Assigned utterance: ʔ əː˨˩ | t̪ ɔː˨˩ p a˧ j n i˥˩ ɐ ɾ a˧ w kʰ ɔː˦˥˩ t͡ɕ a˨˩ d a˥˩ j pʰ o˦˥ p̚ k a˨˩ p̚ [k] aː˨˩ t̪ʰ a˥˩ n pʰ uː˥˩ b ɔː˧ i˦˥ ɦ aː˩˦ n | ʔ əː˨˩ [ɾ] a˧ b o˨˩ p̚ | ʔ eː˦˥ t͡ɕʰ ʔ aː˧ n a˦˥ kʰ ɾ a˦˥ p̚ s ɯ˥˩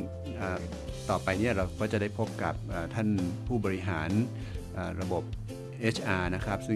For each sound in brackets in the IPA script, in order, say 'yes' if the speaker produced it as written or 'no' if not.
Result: no, yes

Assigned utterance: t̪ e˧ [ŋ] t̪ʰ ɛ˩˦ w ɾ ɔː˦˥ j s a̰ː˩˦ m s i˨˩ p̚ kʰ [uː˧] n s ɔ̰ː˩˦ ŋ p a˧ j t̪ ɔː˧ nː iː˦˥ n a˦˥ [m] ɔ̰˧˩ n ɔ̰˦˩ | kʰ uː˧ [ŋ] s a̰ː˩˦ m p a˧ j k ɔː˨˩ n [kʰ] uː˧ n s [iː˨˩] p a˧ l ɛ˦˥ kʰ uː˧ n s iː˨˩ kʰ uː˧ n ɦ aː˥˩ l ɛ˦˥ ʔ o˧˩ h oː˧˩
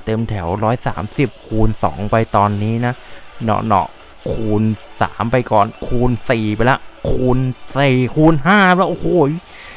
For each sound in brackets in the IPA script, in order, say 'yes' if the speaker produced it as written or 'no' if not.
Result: no, yes, no, no, yes, yes

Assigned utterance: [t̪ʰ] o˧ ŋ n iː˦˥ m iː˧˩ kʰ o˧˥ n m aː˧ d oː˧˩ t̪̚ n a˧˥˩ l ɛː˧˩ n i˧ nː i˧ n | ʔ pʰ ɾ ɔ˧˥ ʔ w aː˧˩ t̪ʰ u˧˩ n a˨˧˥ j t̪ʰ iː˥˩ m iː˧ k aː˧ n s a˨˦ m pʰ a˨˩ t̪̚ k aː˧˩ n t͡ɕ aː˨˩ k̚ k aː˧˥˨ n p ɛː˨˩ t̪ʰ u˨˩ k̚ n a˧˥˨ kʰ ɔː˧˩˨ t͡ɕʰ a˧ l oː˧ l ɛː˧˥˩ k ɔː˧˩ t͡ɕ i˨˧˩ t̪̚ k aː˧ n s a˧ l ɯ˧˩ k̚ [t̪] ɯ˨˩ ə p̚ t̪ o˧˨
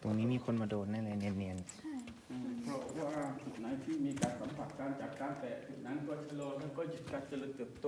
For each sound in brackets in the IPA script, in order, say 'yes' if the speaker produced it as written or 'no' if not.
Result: no, yes

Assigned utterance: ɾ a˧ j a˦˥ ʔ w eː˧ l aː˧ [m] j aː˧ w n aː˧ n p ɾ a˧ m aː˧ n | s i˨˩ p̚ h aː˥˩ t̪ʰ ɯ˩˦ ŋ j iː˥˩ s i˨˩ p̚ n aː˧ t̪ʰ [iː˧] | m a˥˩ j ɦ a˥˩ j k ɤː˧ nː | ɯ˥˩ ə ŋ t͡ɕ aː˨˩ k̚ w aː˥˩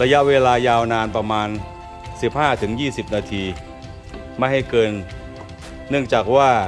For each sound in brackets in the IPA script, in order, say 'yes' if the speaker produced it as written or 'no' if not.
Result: no, yes

